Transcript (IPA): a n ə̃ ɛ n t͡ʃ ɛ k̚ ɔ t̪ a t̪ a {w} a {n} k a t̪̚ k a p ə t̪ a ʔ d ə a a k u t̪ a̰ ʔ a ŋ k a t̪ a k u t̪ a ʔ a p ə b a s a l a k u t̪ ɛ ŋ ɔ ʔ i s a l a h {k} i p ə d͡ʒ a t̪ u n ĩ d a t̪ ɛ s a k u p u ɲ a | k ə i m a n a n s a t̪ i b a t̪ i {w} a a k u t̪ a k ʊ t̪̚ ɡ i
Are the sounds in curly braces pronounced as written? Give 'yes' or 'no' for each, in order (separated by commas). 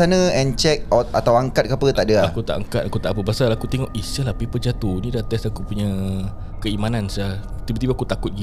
yes, no, no, no